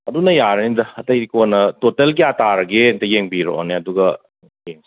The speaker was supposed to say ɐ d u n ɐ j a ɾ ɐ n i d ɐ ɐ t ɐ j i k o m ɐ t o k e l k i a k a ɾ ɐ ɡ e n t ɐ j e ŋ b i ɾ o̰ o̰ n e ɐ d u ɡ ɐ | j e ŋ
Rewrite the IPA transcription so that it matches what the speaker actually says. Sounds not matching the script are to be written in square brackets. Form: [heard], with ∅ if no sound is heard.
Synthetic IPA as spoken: ɐ d u n ɐ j a ɾ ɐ n i d ɐ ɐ t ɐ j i k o [n] ɐ t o [t] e l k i a [t] a ɾ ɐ ɡ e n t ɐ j e ŋ b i ɾ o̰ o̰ n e ɐ d u ɡ ɐ | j e ŋ

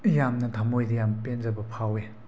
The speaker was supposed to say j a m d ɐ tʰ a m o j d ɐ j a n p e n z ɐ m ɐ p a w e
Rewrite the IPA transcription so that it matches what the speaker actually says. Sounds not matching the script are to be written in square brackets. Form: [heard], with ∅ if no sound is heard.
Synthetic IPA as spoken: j a m [n] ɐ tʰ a m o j d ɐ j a [m] p e n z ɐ [b] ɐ [pʰ] a w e

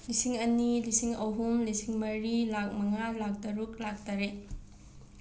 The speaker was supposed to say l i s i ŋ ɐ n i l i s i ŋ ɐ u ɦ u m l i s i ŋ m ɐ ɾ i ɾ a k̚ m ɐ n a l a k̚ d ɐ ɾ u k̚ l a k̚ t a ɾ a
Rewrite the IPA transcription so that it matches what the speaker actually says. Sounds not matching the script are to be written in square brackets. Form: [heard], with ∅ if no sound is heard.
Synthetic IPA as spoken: l i s i ŋ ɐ n i l i s i ŋ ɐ [w] ɦ u m l i s i ŋ m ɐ ɾ i [l] a k̚ m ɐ [ŋ] a l a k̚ d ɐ ɾ u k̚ l a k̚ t a ɾ [e]

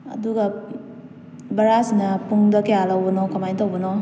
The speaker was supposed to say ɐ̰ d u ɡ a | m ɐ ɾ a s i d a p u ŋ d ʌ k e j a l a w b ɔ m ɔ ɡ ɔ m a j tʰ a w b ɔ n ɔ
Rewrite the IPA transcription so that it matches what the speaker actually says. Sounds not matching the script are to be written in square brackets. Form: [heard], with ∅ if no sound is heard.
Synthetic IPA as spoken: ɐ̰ d u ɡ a | [b] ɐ ɾ a s i [n] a p u ŋ d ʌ k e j a l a w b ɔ [n] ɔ [k] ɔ m a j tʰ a w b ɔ n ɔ

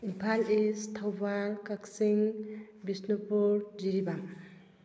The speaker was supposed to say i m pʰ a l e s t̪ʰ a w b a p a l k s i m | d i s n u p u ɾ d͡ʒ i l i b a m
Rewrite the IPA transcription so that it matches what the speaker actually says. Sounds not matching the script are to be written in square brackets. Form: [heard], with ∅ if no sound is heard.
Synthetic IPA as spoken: i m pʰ a l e s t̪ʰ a w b a [k] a [∅] k s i [ŋ] | [b] i s n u p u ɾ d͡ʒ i [ɾ] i b a m

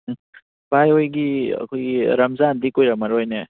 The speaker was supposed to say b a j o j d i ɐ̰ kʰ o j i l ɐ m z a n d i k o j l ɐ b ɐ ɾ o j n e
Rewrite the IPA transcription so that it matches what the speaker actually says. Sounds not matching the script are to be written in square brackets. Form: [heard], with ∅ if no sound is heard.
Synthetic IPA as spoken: b a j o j [ɡ] i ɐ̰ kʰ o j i [ɾ] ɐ m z a n d i k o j [ɾ] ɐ [m] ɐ ɾ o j n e

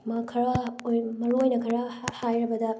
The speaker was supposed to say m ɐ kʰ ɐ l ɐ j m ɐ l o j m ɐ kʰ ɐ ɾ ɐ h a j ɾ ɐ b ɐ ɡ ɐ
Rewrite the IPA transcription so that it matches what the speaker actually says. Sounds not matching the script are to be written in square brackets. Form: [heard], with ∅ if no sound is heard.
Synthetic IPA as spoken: m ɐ kʰ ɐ [ɾ] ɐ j m ɐ [ɾ] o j [n] ɐ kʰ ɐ ɾ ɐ h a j ɾ ɐ b ɐ [d] ɐ

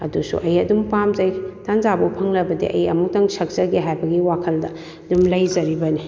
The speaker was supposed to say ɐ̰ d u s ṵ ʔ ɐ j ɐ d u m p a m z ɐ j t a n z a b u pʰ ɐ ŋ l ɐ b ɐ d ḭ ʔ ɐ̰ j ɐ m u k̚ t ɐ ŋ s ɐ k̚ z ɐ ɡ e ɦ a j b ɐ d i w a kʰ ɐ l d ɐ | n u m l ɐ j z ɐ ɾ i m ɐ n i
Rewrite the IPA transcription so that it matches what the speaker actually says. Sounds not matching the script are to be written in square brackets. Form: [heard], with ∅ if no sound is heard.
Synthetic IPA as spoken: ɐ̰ d u s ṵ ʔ ɐ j ɐ d u m p a m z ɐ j t a n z a b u pʰ ɐ ŋ l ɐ b ɐ d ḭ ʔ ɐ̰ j ɐ m u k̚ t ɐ ŋ s ɐ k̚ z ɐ ɡ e ɦ a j b ɐ [ɡ] i w a kʰ ɐ l d ɐ | [d] u m l ɐ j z ɐ ɾ i [b] ɐ n i

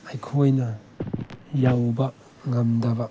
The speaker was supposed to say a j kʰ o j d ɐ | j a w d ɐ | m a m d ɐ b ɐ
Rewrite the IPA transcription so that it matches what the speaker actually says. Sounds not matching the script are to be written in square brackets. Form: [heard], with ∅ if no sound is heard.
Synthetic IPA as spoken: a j kʰ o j [n] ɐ | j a w [b] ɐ | [ŋ] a m d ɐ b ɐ

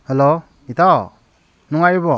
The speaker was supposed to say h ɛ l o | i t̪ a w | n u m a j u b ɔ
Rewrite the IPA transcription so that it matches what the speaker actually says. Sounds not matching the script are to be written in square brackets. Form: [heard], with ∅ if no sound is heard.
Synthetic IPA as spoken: h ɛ l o | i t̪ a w | n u [ŋ] a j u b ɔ

